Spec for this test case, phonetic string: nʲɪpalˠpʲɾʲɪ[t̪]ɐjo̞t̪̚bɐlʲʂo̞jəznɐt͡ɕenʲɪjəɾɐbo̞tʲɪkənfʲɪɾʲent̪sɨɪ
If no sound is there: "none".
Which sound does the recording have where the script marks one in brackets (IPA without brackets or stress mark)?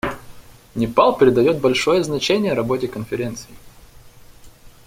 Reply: d̪